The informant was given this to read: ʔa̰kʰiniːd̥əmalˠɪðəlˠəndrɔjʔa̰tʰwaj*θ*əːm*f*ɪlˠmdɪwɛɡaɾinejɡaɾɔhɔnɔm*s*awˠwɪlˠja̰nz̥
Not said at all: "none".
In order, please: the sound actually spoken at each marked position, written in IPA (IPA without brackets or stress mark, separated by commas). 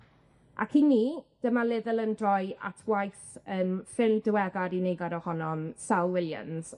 θ, f, s